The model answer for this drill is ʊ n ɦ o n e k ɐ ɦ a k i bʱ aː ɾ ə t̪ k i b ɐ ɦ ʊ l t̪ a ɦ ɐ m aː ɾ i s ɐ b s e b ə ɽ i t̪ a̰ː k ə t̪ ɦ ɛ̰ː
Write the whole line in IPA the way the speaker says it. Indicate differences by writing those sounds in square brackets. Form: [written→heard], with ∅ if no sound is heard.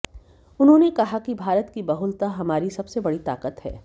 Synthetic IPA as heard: ʊ n ɦ [o→õ] n e k ɐ ɦ a k i bʱ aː ɾ ə t̪ k i b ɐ ɦ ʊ l t̪ a ɦ ɐ m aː ɾ i s ɐ b s e b [ə→ɐ] ɽ i t̪ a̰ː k ə t̪ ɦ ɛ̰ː